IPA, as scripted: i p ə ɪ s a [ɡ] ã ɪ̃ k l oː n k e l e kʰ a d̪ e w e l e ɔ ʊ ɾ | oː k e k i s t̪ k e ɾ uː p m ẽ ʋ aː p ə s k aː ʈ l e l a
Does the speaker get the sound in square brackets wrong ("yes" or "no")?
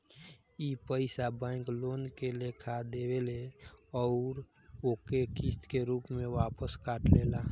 yes